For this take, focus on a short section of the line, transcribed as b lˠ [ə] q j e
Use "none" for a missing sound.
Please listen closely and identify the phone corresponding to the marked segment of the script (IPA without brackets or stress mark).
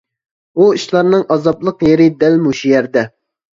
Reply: ə